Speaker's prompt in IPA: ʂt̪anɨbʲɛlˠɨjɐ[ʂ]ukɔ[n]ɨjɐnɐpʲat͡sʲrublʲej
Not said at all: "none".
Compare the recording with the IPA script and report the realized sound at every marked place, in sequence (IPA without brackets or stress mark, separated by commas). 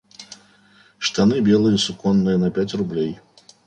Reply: s, nː